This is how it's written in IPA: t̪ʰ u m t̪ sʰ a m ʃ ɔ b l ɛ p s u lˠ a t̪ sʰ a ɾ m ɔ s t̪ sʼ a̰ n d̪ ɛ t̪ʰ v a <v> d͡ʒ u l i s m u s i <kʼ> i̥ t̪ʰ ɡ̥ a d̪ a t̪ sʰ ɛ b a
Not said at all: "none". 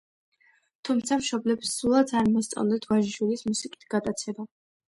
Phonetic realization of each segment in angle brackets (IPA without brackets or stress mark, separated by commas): ʒ, kʼ